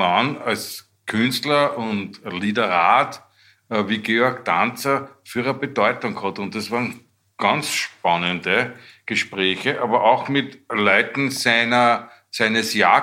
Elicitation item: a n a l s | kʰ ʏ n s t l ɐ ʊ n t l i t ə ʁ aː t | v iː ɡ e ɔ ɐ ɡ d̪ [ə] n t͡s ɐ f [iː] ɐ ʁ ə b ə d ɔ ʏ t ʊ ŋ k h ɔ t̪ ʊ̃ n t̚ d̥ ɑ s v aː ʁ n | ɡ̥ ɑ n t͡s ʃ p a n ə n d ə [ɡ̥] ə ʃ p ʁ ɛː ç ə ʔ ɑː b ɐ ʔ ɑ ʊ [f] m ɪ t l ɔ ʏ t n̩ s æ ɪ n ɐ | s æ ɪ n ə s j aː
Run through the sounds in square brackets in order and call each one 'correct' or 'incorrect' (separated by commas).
incorrect, incorrect, correct, incorrect